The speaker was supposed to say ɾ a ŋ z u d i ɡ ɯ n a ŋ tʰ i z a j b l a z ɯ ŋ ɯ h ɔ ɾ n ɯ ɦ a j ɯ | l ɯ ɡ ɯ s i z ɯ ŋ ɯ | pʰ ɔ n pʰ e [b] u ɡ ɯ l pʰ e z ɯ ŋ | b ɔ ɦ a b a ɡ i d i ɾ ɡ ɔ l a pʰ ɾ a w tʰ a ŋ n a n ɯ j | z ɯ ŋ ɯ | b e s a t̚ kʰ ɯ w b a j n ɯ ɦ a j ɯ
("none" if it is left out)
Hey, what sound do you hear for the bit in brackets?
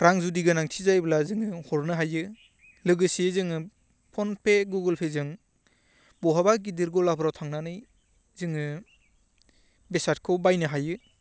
ɡ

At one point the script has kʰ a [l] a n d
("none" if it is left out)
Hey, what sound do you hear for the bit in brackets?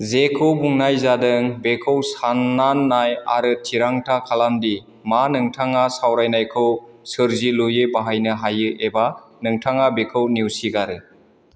l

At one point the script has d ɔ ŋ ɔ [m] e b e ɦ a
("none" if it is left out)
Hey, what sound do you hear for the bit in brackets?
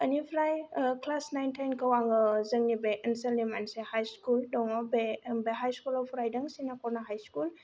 b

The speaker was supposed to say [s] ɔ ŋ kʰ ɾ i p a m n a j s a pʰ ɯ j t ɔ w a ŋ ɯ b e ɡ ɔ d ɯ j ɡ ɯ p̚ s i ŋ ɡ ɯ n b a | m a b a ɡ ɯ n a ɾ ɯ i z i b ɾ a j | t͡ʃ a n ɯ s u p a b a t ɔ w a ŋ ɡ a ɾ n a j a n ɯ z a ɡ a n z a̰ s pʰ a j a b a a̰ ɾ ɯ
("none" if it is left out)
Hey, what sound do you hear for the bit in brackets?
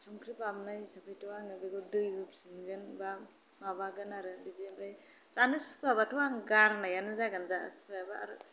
s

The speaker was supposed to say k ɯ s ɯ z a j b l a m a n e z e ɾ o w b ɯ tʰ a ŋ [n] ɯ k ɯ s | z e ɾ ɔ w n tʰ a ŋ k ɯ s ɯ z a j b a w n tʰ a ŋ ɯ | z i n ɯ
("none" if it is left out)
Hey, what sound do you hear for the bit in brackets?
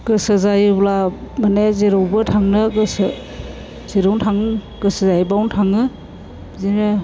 n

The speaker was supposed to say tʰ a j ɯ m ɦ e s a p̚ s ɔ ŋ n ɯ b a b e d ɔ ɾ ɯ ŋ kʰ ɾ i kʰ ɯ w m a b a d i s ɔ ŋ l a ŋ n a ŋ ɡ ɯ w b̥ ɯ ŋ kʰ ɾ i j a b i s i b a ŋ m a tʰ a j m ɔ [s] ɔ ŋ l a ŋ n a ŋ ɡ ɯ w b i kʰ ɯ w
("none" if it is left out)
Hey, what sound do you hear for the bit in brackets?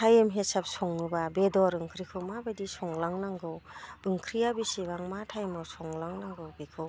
s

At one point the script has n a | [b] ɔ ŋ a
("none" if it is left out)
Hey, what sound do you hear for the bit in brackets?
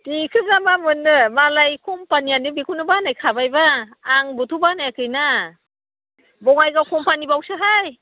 b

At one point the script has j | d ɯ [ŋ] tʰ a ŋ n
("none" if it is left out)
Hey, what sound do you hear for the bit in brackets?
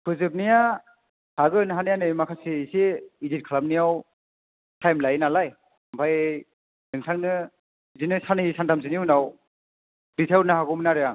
ŋ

